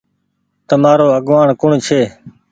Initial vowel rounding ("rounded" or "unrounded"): unrounded